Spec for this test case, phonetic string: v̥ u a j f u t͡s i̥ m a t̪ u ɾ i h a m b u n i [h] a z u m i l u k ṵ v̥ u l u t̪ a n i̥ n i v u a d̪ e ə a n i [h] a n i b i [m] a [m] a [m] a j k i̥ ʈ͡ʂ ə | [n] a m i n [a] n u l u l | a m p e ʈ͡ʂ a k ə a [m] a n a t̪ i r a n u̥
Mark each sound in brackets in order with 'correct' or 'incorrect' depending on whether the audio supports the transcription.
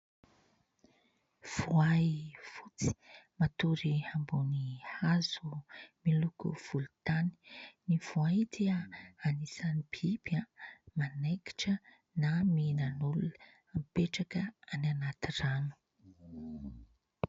correct, incorrect: s, incorrect: b, correct, incorrect: n, correct, correct, incorrect: n

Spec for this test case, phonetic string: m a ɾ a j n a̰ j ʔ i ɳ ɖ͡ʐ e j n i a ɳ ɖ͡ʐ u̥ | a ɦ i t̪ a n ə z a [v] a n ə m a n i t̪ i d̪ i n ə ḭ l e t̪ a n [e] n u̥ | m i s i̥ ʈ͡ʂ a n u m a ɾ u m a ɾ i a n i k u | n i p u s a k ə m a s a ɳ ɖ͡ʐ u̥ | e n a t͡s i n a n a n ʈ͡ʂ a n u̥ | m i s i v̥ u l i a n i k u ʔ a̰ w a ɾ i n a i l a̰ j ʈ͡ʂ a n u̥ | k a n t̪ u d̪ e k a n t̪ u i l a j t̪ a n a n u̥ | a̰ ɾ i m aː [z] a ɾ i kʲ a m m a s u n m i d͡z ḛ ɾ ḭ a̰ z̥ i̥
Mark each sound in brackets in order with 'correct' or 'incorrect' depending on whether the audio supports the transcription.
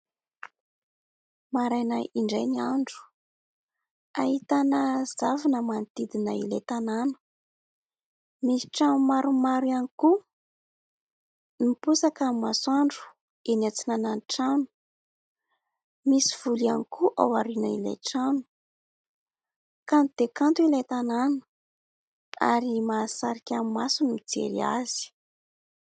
correct, incorrect: a, incorrect: s

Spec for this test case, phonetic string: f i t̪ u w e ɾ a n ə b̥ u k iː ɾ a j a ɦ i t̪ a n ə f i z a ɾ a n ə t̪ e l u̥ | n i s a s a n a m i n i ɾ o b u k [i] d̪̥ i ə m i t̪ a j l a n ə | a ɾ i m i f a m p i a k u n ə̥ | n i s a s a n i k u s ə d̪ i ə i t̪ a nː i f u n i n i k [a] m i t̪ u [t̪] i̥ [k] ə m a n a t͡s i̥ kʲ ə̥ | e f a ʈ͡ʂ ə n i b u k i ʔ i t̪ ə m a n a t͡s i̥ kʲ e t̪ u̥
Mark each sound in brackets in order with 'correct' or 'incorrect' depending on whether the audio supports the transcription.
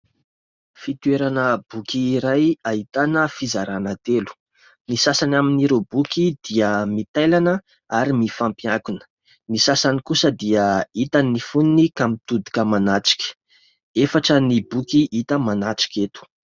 correct, correct, incorrect: d̪, correct

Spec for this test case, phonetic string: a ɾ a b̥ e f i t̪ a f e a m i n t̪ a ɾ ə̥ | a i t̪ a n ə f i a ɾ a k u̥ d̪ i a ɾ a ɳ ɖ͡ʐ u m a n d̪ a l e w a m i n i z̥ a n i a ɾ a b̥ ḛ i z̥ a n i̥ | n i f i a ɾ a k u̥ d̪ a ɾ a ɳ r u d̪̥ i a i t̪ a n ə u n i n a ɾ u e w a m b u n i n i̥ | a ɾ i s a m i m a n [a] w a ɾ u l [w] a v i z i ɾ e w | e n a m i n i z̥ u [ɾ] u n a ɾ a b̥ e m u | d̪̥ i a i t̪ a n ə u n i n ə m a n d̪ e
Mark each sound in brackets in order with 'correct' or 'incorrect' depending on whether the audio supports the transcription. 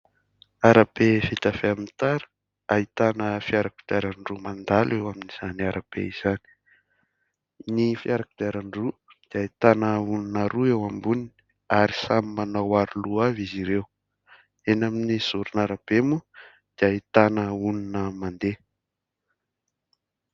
correct, incorrect: u, correct

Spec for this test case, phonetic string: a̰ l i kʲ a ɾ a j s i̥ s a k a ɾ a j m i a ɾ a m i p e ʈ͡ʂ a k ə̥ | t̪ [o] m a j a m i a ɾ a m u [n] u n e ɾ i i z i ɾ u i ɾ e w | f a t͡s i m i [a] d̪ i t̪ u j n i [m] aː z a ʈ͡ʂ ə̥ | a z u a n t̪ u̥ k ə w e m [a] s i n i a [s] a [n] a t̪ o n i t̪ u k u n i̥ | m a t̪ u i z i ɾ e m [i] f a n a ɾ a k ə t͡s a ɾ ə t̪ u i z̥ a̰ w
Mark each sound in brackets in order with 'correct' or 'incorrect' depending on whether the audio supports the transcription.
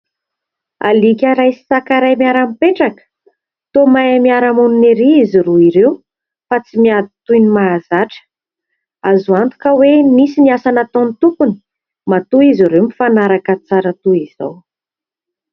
correct, correct, correct, correct, incorrect: i, correct, correct, correct

